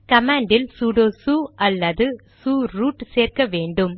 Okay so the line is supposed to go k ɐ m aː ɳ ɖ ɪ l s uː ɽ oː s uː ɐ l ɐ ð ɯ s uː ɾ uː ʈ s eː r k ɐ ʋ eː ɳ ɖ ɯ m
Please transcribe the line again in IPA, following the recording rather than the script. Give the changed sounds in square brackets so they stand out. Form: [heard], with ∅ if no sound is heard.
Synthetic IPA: k ɐ m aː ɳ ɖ ɪ l s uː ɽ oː s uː ɐ [lː] ɐ ð ɯ s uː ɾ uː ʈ s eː r k ɐ ʋ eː ɳ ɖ ɯ m